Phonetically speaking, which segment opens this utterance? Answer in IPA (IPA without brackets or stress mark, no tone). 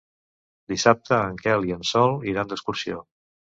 d̪